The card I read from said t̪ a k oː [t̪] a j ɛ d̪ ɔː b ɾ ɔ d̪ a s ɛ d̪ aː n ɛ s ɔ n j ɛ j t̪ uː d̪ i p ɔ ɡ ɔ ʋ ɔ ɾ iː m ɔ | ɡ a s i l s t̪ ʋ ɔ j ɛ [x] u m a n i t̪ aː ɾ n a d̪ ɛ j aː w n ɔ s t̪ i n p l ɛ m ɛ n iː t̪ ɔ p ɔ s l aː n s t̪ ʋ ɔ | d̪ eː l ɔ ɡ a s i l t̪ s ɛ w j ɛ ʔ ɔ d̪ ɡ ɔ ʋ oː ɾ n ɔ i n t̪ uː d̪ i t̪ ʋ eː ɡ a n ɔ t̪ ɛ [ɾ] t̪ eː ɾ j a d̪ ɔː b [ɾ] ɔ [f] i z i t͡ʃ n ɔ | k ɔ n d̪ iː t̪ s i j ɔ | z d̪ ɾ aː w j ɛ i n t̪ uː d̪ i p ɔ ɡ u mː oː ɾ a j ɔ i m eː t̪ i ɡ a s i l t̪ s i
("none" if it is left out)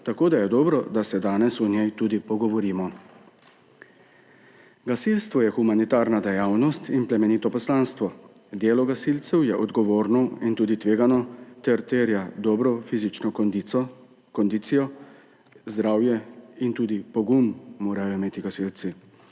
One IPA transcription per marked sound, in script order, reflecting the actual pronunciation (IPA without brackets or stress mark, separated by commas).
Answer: d̪, x, ɾ, ɾ, f